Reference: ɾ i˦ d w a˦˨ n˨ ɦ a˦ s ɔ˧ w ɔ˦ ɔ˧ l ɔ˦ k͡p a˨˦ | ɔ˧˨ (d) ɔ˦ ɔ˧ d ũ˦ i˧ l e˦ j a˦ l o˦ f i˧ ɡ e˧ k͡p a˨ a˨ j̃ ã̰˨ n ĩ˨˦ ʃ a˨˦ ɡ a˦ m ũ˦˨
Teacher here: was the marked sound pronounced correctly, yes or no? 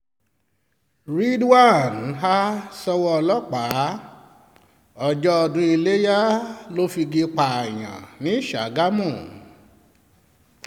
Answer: no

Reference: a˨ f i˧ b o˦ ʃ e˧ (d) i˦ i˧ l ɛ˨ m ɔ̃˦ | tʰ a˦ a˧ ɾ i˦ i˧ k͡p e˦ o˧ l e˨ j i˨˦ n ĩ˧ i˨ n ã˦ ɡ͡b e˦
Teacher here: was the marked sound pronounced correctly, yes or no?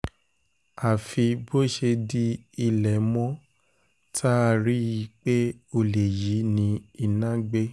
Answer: yes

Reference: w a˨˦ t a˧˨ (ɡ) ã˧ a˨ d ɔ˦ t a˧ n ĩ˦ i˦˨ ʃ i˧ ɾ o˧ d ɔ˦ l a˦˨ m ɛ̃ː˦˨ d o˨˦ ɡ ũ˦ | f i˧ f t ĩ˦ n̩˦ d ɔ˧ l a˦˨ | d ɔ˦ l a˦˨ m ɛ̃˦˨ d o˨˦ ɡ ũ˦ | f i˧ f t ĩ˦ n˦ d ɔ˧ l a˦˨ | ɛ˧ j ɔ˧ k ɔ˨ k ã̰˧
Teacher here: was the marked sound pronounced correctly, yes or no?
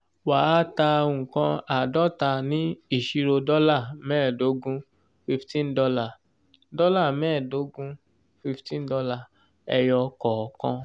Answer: no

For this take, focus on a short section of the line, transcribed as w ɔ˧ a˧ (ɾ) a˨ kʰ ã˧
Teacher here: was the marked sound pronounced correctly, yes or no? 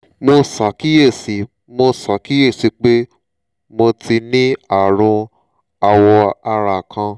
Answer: yes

